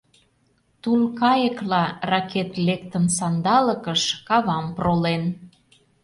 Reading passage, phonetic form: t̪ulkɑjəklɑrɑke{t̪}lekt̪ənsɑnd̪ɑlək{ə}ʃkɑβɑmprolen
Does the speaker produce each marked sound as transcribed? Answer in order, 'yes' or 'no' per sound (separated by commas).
yes, yes